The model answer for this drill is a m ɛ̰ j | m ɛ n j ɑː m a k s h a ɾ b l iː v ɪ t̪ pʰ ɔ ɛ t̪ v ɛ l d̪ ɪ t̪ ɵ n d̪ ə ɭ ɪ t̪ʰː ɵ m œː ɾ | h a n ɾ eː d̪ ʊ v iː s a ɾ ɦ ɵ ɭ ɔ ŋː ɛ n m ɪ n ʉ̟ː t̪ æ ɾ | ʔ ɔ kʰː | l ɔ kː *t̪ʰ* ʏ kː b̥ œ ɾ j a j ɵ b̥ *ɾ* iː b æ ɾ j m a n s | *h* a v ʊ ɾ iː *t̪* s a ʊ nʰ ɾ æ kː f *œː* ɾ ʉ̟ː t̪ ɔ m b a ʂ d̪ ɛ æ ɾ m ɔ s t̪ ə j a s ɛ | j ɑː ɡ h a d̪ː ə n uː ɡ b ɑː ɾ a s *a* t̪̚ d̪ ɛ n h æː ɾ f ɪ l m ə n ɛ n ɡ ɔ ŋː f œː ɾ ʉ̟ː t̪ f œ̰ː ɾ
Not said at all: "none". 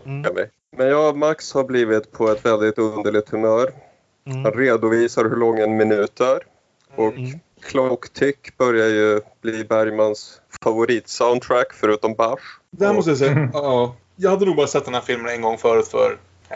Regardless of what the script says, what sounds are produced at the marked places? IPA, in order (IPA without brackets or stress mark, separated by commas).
t̪ʰ, l, f, t̪, œ, ɛ